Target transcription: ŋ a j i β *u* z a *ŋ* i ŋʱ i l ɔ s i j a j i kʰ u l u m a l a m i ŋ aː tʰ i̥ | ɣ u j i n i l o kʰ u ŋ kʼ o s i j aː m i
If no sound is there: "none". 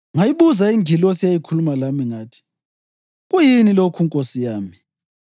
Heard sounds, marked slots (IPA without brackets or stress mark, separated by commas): u, none